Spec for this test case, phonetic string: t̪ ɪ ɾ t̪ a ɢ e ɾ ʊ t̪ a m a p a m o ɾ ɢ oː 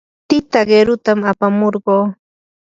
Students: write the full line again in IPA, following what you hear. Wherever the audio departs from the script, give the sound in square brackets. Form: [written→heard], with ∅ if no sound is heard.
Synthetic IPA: t̪ ɪ [ɾ→∅] t̪ a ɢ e ɾ ʊ t̪ a m a p a m o ɾ ɢ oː